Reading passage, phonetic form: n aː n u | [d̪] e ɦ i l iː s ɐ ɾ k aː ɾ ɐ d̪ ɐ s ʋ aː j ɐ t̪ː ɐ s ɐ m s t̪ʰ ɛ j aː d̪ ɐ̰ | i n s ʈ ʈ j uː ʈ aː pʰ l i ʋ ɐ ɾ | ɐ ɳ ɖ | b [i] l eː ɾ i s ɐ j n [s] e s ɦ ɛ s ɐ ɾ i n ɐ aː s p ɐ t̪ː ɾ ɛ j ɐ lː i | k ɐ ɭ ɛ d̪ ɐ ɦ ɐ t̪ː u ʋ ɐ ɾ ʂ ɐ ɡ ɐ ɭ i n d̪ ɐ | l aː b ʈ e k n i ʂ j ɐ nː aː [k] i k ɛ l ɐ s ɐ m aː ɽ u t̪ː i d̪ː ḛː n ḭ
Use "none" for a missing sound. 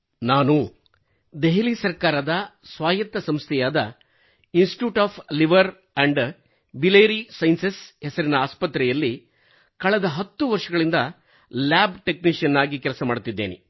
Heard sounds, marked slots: d̪, i, s, ɡ

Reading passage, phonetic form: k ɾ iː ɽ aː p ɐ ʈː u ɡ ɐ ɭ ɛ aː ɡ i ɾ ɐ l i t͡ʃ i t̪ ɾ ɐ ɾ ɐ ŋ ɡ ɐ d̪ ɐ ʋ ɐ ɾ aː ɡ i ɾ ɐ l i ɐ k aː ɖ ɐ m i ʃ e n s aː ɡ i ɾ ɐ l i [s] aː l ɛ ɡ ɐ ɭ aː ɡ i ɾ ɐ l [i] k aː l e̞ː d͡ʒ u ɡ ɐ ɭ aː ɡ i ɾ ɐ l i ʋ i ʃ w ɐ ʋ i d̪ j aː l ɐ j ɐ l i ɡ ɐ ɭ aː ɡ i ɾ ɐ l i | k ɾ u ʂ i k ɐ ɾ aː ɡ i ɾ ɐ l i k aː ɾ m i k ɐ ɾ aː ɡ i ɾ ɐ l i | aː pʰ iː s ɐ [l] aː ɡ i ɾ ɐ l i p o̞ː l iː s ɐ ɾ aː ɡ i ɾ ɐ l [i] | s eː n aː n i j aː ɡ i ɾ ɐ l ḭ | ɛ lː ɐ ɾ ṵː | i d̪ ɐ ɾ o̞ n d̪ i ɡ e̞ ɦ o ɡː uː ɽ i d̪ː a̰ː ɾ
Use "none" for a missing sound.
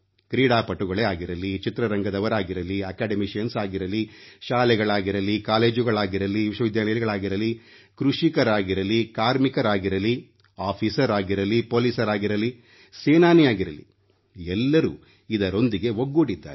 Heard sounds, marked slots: ʃ, i, ɾ, i

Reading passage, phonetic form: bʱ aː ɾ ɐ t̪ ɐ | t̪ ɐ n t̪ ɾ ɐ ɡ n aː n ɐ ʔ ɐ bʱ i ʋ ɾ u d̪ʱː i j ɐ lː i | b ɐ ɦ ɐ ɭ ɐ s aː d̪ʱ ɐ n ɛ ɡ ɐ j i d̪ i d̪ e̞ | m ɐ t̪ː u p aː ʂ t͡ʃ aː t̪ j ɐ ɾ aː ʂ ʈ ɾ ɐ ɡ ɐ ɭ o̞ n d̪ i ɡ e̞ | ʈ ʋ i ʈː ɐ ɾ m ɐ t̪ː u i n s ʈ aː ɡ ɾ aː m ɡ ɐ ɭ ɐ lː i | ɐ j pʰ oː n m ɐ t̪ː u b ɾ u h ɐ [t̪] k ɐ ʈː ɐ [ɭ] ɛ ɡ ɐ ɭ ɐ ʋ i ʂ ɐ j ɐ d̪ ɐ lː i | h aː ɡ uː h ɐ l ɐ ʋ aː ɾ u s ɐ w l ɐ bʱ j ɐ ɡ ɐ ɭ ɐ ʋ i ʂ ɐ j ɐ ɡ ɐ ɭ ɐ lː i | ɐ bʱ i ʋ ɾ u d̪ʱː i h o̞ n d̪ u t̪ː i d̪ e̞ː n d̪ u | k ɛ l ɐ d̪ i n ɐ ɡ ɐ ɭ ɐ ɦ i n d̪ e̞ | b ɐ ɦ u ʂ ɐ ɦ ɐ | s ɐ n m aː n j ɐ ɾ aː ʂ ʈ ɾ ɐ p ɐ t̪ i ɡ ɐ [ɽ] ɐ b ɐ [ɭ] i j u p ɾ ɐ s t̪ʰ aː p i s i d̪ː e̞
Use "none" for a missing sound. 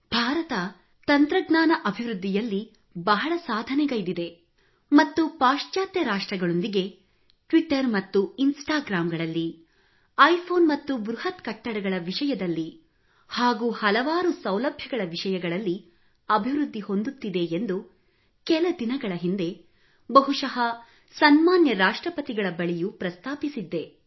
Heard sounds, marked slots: t̪, ɽ, ɭ, ɭ

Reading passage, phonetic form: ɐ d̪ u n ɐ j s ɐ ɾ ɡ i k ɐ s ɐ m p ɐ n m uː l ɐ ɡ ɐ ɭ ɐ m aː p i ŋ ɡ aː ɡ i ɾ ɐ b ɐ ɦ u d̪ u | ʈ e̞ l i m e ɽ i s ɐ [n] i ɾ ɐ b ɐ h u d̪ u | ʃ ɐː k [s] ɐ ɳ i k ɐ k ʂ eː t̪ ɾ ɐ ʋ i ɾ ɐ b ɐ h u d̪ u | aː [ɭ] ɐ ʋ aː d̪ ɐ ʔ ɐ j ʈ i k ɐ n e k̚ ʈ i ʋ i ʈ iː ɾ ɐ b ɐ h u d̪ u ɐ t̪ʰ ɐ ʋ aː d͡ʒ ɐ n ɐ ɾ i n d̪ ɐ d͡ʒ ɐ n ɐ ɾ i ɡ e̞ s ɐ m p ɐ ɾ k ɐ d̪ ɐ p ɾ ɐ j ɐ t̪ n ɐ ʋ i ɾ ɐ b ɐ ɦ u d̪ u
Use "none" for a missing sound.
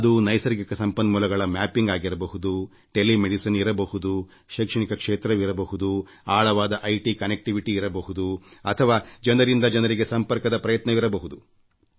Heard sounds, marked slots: n, ʂ, ɭ

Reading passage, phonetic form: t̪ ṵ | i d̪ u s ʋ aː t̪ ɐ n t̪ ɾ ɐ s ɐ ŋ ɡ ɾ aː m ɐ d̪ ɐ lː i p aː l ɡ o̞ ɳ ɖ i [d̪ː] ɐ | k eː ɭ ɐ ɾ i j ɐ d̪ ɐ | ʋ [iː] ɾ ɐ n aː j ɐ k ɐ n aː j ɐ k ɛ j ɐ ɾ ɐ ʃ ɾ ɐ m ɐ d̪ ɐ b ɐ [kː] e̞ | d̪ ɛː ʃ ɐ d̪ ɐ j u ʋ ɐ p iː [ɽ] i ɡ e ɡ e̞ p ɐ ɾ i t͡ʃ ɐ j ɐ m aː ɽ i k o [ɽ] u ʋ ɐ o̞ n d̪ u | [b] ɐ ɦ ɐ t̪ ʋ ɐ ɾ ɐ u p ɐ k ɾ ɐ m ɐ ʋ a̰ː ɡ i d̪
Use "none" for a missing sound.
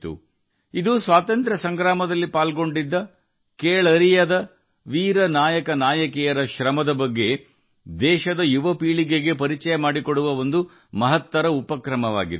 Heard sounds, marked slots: d̪ː, iː, ɡː, ɭ, ɽ, m

